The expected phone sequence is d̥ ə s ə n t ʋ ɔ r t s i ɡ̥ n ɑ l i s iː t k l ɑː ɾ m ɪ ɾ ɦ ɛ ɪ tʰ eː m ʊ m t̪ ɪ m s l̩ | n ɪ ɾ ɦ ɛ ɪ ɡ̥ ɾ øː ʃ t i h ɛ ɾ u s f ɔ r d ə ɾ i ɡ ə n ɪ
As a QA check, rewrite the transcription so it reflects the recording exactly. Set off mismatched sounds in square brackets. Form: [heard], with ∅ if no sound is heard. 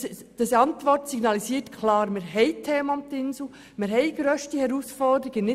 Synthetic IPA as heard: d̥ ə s [ɑ] n t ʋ ɔ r t s i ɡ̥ n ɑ l i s iː t [kʰ] l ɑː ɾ m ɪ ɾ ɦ ɛ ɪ tʰ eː m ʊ m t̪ ɪ [n] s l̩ | [m] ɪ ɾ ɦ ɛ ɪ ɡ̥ ɾ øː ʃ t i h ɛ ɾ u s f ɔ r d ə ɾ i ɡ ə n ɪ

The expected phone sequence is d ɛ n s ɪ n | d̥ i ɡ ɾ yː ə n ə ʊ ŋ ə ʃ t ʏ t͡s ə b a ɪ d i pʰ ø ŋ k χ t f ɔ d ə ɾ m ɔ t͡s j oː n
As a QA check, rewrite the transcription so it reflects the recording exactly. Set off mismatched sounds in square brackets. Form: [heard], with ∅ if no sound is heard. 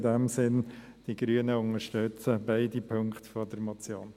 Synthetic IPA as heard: d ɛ [m] s ɪ n | d̥ i ɡ ɾ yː ə n ə ʊ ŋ ə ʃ t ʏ t͡s ə b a ɪ d i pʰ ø ŋ k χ t f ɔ d ə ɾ m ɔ t͡s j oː n

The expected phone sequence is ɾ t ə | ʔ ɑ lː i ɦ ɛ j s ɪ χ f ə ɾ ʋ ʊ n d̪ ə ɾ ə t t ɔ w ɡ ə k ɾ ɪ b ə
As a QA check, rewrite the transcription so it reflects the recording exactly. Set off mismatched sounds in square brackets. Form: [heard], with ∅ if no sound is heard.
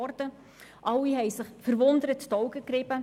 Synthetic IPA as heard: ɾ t ə | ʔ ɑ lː i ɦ ɛ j s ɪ χ f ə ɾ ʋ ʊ n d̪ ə ɾ ə t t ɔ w ɡ ə k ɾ ɪ b ə

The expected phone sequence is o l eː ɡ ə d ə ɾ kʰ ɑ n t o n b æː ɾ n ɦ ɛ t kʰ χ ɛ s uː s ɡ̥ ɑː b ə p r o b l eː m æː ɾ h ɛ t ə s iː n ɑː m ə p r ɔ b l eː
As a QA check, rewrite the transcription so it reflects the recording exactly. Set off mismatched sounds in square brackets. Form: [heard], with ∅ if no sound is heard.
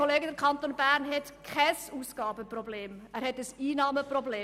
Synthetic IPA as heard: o l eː ɡ ə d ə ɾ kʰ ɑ n t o n b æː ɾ n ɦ ɛ t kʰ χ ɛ s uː s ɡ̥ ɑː b ə p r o b l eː m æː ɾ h ɛ t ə s iː n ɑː m ə p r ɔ b l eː

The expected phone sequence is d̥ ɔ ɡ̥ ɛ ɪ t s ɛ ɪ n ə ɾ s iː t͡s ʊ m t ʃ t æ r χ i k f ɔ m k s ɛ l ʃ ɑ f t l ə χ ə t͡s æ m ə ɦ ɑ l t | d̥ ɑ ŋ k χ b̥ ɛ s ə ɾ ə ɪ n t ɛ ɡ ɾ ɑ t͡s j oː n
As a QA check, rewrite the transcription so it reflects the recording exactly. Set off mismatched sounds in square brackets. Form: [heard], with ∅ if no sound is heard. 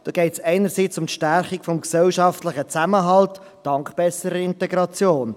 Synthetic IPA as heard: d̥ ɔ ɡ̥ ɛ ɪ t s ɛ ɪ n ə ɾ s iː t͡s ʊ m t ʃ t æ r χ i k f ɔ m k s ɛ l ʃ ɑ f t l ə χ ə t͡s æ m ə ɦ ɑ l t | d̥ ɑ ŋ k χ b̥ ɛ s ə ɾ ə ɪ n t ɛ ɡ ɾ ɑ t͡s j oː n

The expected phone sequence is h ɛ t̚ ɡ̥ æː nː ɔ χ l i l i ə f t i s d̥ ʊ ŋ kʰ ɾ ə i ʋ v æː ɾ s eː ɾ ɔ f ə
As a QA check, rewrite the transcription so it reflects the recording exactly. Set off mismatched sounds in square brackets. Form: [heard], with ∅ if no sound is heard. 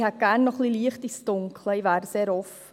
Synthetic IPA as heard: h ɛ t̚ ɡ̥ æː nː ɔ χ l i l i ə [χ] t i s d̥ ʊ ŋ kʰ [l] ə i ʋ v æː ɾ s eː ɾ ɔ f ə

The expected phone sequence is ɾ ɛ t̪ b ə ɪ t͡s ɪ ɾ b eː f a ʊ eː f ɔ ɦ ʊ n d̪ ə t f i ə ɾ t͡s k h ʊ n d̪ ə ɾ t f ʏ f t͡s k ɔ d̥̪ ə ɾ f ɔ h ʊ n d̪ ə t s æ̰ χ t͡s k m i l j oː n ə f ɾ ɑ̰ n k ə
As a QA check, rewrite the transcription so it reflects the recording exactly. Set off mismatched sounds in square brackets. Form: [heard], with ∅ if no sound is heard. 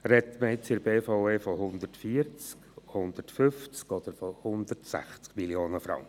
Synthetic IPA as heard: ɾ ɛ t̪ [m] ə ɪ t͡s ɪ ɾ b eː f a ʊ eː f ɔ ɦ ʊ n d̪ ə t f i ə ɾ t͡s k h ʊ n d̪ ə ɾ t f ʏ f t͡s k ɔ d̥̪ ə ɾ f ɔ h ʊ n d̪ ə t s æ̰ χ t͡s k m i l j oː n ə f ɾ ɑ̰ [ŋ] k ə

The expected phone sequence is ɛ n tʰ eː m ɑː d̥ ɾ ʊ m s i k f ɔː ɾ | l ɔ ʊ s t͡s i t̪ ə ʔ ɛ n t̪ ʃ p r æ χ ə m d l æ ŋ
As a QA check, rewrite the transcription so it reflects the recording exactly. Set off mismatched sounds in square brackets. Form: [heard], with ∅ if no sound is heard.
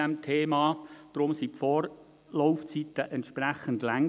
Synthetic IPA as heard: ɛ [m] tʰ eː m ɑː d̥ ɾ ʊ m s i [p] f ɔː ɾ | l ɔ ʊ [f] t͡s i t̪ ə ʔ ɛ n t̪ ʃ p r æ χ ə [n] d l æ ŋ

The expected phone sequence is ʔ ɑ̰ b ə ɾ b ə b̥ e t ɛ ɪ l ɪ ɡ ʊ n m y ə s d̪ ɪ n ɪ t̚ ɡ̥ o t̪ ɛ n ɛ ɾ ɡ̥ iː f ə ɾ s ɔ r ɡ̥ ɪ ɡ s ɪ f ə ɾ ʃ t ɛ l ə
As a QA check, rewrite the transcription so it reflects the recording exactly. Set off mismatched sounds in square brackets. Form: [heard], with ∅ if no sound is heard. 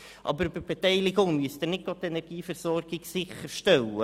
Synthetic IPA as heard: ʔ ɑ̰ b ə ɾ b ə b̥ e t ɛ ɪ l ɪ ɡ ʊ [ŋ] m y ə s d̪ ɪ n ɪ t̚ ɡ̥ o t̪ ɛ n ɛ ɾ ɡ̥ iː f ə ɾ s ɔ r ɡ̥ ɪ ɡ s ɪ [χ] ə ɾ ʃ t ɛ l ə

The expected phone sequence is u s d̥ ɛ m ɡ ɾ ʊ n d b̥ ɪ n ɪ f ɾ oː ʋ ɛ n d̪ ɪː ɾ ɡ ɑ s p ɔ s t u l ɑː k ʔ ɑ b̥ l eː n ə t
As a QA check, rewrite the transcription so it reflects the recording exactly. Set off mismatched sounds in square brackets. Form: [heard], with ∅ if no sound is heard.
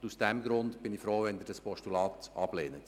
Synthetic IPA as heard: u s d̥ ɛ m ɡ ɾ ʊ n d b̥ ɪ n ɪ f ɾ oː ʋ ɛ n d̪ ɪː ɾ [d] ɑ s p ɔ [ʃ] t u l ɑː [t] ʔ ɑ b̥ l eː n ə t

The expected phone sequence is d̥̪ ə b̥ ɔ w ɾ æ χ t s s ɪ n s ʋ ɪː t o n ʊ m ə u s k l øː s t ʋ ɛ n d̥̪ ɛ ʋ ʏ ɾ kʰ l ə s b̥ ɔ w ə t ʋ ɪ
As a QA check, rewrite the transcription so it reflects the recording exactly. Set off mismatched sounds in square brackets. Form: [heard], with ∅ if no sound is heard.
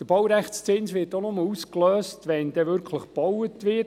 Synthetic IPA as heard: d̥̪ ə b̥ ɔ w ɾ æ χ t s [t͡s] ɪ n s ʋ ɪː t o n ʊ m ə u s k l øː s t ʋ ɛ n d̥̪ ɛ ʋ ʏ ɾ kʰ l ə [χ] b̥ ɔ w ə t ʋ ɪ

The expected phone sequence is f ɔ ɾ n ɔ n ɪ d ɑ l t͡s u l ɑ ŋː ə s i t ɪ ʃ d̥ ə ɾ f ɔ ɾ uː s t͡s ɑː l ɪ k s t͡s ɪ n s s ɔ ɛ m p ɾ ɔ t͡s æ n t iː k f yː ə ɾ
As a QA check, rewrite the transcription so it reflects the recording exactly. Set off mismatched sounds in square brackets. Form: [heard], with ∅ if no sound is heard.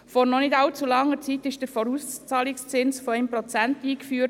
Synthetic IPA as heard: f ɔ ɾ n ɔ n ɪ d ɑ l t͡s u l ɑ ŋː ə [t͡s] i t ɪ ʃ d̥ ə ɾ f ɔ ɾ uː s t͡s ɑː l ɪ k s t͡s ɪ n s [f] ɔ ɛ m p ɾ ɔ t͡s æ n t iː k f yː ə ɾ

